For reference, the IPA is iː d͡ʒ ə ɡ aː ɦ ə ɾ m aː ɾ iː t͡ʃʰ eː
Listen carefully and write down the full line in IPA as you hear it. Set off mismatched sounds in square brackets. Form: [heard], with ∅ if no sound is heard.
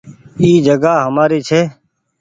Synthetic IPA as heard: iː d͡ʒ ə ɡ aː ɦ ə [∅] m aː ɾ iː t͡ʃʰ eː